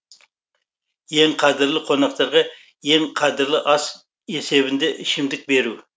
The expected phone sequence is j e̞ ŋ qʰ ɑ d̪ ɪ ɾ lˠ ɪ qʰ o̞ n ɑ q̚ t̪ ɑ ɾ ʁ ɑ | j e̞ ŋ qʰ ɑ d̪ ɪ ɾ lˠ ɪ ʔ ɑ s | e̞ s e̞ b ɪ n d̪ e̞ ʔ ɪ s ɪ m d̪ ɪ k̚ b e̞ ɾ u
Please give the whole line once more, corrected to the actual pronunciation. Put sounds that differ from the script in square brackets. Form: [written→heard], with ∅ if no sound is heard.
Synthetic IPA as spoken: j e̞ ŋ qʰ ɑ d̪ ɪ ɾ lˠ ɪ qʰ o̞ n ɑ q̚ t̪ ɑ ɾ ʁ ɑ | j e̞ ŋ qʰ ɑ d̪ ɪ ɾ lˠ ɪ ʔ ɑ s | e̞ s e̞ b ɪ n d̪ e̞ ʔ ɪ [s→ʃ] ɪ m d̪ ɪ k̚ b e̞ ɾ u